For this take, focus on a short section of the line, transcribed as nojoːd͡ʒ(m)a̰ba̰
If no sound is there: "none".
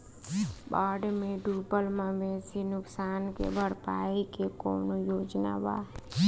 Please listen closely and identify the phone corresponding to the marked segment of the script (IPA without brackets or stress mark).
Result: n